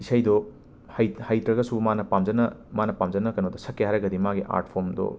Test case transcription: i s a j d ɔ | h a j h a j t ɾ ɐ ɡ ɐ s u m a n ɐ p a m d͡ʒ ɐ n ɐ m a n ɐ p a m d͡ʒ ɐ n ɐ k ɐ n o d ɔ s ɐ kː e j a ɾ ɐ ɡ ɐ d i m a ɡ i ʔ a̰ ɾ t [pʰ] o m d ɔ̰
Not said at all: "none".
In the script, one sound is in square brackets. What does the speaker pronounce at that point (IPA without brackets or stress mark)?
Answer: pʰ